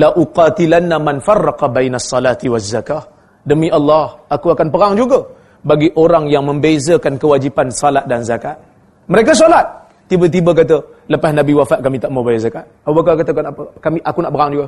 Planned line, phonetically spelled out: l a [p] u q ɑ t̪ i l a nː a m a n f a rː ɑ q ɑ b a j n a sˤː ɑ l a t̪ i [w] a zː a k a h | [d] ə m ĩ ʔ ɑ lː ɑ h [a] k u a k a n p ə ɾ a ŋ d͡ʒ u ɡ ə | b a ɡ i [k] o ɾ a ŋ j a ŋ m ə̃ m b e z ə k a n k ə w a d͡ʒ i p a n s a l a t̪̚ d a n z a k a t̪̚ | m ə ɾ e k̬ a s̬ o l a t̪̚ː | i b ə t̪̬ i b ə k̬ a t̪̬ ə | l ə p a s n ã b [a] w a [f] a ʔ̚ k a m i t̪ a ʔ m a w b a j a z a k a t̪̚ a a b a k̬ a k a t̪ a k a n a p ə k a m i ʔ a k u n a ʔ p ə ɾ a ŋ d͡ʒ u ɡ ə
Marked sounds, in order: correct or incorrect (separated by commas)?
incorrect, correct, correct, correct, incorrect, incorrect, correct